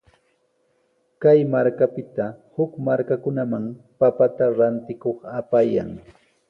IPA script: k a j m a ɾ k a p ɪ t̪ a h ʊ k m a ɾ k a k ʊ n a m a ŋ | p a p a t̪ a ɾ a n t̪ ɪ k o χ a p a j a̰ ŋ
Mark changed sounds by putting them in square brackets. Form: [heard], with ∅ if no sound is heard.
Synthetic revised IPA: k a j m a ɾ k a p ɪ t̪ a h ʊ k m a ɾ k a k ʊ n a m a ŋ | p a p a t̪ a ɾ a n t̪ ɪ k o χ a p a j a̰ ŋ